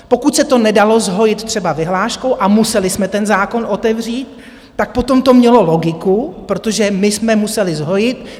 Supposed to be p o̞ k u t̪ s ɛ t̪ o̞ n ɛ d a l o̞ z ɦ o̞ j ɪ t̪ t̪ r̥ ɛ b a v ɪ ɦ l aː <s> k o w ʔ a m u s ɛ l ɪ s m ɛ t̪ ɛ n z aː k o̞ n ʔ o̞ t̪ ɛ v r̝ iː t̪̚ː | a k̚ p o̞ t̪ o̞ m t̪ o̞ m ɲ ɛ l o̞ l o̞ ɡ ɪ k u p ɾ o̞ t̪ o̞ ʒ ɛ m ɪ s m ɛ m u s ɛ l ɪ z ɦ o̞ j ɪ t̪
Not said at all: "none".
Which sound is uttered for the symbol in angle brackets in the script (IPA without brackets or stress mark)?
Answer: ʃ